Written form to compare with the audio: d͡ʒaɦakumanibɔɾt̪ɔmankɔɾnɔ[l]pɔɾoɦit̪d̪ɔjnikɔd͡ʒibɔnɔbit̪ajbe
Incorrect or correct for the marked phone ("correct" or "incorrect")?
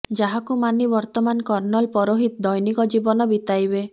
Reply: correct